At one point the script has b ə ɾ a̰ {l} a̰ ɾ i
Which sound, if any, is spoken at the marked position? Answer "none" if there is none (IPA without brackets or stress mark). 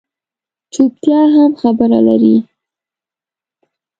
l